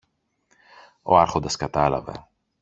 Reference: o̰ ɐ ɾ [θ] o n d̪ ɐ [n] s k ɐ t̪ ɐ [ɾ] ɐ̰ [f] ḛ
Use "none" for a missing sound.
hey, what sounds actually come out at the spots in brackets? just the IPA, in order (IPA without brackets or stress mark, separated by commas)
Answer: x, none, l, v